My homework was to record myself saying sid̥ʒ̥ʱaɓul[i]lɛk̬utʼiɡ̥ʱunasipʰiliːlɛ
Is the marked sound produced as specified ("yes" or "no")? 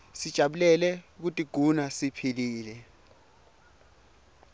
no